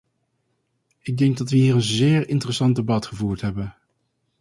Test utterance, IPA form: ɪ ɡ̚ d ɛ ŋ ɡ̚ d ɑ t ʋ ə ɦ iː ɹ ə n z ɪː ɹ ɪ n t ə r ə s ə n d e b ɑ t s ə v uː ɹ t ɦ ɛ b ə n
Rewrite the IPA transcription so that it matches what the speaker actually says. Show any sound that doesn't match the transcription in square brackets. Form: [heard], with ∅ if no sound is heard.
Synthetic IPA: ɪ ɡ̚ d ɛ ŋ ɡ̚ d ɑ t ʋ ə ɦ iː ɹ ə n z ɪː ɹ ɪ n t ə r ə s [ɑ] n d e b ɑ t [χ] ə v uː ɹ t ɦ ɛ b ə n